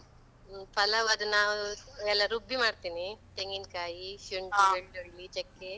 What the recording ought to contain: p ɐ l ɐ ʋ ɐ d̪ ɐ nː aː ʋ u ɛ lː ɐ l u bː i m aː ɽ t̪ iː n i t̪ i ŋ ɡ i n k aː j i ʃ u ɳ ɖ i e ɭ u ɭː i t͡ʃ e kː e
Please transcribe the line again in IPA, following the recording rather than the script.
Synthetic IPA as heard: p ɐ l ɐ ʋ ɐ d̪ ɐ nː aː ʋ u ɛ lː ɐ ɾ u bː i m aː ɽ t̪ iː n i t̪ e ŋ ɡ i n k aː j i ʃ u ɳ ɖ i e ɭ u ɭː i t͡ʃ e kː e

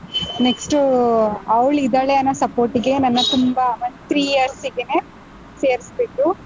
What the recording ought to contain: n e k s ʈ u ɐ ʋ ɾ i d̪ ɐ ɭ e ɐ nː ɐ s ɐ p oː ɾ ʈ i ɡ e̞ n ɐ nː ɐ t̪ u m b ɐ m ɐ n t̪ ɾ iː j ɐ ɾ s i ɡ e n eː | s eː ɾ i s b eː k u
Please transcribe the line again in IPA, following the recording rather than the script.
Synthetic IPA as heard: n e k s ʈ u ɐ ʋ ɭ i d̪ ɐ ɭ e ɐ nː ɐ s ɐ p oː ɾ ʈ i ɡ e̞ n ɐ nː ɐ t̪ u m b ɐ m ɐ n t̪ ɾ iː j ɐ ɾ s i ɡ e n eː | s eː ɾ i s b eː k u

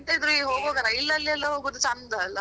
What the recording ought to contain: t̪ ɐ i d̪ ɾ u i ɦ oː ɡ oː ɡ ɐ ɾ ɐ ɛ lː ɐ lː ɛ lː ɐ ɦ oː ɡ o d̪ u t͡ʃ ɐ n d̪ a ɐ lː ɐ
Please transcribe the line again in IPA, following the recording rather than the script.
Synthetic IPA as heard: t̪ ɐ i d̪ ɾ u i ɦ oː ɡ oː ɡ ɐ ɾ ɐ i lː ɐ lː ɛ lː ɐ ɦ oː ɡ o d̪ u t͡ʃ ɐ n d̪ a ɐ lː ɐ

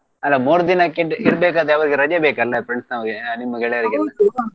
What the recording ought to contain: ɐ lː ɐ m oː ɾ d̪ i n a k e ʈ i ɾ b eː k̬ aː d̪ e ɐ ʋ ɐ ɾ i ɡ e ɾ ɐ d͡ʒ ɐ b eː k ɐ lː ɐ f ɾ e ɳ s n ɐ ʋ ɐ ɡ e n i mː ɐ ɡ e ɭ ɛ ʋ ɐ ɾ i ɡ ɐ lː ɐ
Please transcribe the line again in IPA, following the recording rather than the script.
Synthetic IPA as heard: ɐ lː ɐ m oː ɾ d̪ i n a k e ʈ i ɾ b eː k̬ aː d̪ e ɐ ʋ ɐ ɾ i ɡ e ɾ ɐ d͡ʒ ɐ b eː k ɐ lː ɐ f ɾ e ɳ s n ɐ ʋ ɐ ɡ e n i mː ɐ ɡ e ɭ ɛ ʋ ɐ ɾ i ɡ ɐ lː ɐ

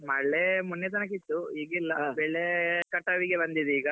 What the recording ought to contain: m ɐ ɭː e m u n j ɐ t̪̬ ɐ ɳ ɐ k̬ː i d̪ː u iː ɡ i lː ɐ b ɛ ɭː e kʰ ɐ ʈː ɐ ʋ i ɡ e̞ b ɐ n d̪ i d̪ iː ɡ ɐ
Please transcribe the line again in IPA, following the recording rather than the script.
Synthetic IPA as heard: m ɐ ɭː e m u n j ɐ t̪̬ ɐ n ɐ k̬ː i t̪ː u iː ɡ i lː ɐ b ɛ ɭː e k ɐ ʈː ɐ ʋ i ɡ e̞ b ɐ n d̪ i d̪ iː ɡ ɐ

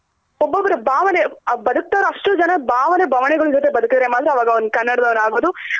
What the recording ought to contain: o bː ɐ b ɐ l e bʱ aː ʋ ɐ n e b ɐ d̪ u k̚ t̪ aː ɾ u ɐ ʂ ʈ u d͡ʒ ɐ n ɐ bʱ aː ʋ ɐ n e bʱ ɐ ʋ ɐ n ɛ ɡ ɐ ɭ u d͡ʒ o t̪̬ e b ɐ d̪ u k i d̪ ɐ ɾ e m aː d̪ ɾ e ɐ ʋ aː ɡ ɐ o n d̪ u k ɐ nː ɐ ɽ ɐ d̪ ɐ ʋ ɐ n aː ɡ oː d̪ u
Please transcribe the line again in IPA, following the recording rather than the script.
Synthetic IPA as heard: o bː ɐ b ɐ ɾ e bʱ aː ʋ ɐ n e b ɐ d̪ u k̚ t̪ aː ɾ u ɐ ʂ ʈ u d͡ʒ ɐ n ɐ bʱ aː ʋ ɐ n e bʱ ɐ ʋ ɐ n ɛ ɡ ɐ ɭ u d͡ʒ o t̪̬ e b ɐ d̪ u k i d̪ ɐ ɾ e m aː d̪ ɾ e ɐ ʋ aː ɡ ɐ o n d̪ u k ɐ nː ɐ ɽ ɐ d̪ ɐ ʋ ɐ n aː ɡ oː d̪ u

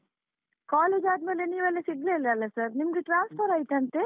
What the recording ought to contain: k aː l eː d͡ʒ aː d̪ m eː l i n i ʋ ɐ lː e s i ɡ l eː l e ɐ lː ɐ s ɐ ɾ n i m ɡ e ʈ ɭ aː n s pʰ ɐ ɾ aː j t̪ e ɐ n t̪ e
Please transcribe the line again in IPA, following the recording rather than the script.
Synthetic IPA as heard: k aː l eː d͡ʒ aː d̪ m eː l e n iː ʋ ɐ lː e s i ɡ l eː l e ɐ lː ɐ s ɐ ɾ n i m ɡ e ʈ ɾ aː n s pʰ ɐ ɾ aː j t̪ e ɐ n t̪ e

